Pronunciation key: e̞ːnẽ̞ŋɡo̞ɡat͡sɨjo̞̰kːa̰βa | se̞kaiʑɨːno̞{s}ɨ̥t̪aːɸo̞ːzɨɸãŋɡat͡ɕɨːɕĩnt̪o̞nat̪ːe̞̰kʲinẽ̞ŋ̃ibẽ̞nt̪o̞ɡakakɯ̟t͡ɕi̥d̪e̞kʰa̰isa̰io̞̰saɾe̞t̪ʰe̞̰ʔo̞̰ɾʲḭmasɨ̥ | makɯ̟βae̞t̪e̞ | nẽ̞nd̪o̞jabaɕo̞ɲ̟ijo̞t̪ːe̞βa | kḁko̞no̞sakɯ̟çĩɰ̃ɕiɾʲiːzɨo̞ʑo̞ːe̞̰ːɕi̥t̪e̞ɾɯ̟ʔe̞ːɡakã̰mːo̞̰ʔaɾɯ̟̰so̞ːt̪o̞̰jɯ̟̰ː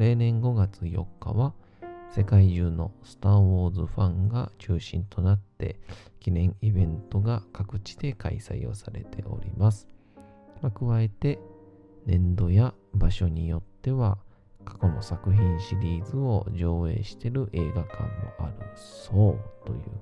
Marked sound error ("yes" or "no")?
no